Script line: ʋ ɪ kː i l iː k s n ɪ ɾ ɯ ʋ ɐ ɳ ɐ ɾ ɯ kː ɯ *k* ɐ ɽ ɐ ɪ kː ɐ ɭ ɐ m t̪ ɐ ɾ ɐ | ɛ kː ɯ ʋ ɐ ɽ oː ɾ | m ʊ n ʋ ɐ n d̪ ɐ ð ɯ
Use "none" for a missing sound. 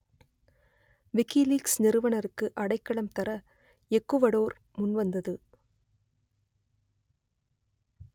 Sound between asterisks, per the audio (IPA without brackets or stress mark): ʔ